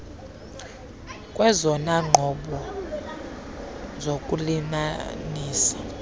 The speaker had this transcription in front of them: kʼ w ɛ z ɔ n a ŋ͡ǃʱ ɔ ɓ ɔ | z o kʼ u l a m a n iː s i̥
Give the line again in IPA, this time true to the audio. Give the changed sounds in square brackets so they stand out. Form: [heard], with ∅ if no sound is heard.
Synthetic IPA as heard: kʼ w ɛ z ɔ n a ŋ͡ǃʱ ɔ ɓ ɔ | z o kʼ u l [i] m a n iː s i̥